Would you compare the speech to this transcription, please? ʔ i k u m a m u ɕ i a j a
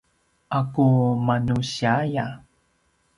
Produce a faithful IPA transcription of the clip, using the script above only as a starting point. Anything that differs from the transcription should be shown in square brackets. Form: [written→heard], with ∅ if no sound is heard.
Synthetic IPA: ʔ [i→a] k u m a [m→n] u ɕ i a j a